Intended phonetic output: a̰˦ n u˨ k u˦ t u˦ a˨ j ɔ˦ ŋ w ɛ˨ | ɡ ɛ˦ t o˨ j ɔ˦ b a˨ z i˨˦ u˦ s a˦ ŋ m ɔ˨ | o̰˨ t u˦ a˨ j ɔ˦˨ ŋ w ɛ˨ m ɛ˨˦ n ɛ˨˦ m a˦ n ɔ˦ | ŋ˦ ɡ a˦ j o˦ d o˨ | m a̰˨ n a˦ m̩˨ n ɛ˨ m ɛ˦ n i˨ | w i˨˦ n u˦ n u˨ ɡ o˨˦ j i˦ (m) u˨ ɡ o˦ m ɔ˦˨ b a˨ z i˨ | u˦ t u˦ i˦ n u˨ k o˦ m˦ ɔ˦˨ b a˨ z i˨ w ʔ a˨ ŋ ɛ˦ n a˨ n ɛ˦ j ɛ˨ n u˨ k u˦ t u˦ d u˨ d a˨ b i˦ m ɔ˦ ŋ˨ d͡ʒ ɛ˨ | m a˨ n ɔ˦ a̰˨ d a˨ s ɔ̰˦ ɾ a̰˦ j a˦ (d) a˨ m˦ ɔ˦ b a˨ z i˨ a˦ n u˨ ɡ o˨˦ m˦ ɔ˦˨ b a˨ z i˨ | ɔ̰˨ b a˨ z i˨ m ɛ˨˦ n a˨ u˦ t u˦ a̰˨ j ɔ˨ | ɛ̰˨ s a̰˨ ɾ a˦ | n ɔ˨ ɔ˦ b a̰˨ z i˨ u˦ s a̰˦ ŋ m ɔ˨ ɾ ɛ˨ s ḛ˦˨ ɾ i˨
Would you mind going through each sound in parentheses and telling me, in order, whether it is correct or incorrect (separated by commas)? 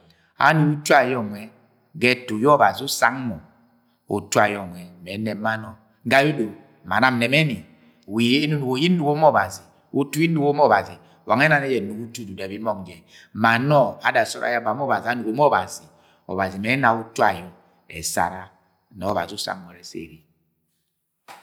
incorrect, incorrect